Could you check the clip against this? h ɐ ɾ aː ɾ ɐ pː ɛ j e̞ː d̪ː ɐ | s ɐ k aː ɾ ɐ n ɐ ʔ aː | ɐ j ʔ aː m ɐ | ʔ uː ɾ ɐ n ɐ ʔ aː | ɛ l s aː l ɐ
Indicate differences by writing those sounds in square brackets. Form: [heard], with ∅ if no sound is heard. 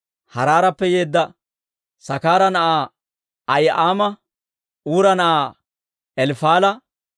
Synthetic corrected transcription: h ɐ ɾ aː ɾ ɐ pː ɛ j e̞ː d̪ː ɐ | s ɐ k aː ɾ ɐ n ɐ ʔ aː | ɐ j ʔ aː m ɐ | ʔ uː ɾ ɐ n ɐ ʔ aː | ɛ l [f] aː l ɐ